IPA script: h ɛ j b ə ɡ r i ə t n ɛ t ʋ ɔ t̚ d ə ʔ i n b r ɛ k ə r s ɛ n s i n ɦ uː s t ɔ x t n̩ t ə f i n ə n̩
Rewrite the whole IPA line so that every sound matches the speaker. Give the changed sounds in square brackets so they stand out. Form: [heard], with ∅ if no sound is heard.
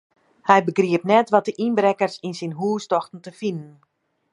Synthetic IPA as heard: h ɛ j b ə ɡ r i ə [p] n ɛ t ʋ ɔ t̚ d ə ʔ i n b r ɛ k ə r s [i] n s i n ɦ uː s t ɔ x t n̩ t ə f i n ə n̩